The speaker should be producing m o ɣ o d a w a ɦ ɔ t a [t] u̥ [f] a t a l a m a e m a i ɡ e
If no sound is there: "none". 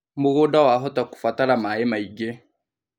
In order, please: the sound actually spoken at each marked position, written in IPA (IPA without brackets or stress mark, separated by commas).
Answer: k, f